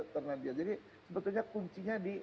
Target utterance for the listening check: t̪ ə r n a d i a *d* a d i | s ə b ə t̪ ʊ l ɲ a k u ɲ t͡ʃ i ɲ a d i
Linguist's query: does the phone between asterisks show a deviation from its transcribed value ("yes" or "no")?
yes